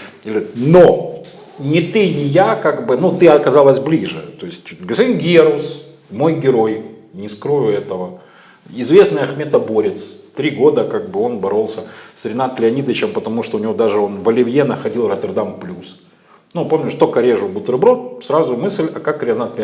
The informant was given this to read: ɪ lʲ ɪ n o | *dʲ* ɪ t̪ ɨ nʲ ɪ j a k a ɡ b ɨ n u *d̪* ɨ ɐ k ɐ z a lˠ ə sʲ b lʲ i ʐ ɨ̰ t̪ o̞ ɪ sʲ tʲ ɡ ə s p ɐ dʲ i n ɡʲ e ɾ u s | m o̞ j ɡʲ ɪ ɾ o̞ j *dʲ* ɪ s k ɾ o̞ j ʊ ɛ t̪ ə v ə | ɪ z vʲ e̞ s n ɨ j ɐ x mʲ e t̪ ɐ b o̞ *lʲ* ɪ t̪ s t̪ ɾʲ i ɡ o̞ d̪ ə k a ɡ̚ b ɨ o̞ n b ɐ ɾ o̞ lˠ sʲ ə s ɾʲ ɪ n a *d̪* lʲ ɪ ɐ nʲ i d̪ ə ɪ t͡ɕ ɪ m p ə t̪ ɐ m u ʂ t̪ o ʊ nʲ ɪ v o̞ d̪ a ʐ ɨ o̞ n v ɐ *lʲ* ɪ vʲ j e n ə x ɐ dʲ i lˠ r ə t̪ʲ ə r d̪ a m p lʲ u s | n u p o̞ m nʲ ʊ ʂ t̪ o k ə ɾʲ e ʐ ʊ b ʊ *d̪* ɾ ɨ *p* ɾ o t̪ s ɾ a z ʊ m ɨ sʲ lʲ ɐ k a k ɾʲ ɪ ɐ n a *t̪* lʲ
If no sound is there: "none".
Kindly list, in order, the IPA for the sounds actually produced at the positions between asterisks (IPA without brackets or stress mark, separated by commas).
nʲ, t̪, nʲ, ɾʲ, t̪, lʲ, t̪, b, t̪